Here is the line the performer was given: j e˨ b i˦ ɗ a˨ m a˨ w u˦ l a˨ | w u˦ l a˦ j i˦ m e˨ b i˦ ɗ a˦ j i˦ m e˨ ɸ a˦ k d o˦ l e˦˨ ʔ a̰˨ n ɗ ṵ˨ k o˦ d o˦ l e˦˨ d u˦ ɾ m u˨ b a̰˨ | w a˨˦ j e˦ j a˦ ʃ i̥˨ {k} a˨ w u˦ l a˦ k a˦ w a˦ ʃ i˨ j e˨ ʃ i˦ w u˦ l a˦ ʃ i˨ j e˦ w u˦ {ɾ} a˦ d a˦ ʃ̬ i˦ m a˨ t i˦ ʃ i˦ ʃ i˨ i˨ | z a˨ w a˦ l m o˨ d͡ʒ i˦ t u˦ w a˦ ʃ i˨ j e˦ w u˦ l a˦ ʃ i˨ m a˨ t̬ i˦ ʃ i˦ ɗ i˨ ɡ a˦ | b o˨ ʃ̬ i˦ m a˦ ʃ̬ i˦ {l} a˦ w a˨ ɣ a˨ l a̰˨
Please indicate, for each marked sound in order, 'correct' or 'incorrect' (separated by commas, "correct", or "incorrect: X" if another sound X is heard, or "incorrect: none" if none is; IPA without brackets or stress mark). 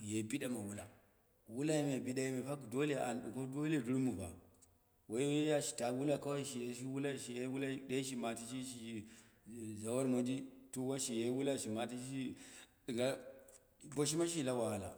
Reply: incorrect: t, incorrect: l, correct